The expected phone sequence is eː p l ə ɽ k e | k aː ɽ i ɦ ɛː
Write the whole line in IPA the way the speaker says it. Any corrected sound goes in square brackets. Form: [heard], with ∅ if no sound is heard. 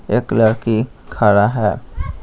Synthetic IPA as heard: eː [k] l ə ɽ k [i] | [kʰ] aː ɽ [a] ɦ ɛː